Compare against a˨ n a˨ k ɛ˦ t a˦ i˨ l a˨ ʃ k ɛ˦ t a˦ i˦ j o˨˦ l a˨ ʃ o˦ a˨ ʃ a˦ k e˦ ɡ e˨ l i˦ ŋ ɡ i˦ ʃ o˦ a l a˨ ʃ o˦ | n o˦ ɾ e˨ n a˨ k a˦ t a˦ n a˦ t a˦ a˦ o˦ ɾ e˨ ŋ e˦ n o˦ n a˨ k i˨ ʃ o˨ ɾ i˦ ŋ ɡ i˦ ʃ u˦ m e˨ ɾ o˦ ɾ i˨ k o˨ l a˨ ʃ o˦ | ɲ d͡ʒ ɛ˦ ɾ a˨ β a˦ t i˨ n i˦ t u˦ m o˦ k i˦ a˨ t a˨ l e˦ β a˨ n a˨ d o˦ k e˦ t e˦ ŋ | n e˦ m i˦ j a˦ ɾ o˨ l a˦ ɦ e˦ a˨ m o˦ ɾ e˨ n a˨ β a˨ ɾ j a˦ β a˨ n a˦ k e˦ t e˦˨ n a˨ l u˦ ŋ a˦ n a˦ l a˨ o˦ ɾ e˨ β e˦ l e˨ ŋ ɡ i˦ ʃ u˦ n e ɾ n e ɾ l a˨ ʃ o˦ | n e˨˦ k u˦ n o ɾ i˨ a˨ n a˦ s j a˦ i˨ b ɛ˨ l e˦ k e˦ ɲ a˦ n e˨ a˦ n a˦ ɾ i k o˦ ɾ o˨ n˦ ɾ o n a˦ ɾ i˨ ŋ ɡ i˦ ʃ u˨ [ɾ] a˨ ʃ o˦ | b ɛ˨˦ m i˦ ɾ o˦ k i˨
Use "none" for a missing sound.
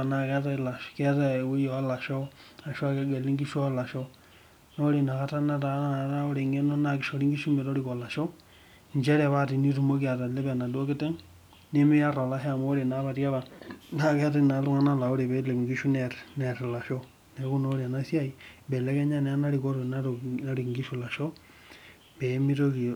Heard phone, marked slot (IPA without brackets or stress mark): l